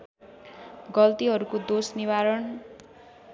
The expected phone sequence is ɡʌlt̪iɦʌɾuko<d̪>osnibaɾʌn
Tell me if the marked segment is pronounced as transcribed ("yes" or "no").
yes